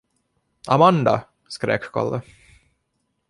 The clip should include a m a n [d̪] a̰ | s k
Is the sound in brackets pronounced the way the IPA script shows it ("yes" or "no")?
yes